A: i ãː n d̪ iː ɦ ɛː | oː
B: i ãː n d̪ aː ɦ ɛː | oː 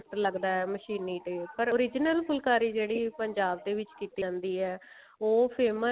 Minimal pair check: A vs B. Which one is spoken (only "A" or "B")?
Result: A